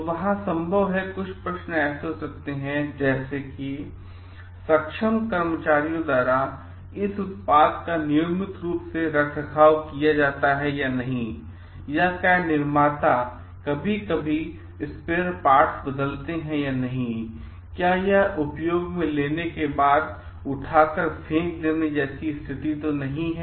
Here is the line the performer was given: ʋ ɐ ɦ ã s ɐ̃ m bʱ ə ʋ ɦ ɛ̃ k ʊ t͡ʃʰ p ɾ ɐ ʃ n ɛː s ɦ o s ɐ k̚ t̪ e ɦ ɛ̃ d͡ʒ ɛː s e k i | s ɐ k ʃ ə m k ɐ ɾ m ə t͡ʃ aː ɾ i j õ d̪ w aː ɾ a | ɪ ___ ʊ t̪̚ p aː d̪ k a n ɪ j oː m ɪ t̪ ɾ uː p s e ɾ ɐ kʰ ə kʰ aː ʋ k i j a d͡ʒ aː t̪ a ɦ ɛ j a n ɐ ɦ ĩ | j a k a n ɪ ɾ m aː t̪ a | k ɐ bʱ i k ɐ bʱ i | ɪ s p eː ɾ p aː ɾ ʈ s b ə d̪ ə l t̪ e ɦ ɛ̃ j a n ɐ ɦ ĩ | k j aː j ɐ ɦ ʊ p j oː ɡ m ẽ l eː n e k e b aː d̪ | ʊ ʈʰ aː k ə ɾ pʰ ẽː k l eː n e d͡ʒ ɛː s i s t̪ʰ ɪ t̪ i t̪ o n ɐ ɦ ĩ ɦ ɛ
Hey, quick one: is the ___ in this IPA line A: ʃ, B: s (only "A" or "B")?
B